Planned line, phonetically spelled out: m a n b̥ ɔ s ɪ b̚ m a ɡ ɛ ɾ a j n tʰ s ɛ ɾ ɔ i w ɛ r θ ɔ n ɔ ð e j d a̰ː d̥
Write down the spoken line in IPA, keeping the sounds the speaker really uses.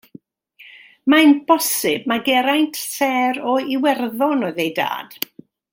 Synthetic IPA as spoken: m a n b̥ ɔ s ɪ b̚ m a ɡ ɛ ɾ a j n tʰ s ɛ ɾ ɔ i w ɛ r ð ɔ n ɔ ð e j d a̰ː d̥